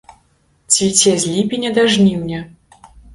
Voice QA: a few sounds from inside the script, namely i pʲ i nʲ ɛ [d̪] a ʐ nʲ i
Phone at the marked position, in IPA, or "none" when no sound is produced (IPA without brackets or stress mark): d̪